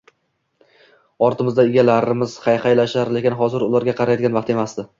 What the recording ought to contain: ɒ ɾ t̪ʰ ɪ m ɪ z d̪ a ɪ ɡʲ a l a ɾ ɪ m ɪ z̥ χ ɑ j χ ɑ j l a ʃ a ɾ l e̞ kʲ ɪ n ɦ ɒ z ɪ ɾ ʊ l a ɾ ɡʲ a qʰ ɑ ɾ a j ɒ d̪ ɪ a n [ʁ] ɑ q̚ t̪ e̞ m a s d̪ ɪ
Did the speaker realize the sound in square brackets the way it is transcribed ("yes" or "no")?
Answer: no